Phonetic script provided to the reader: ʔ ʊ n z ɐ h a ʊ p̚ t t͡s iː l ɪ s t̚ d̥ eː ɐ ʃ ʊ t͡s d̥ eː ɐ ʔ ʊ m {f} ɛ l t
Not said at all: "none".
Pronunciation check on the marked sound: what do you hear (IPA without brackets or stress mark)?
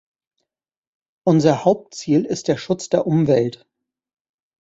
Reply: v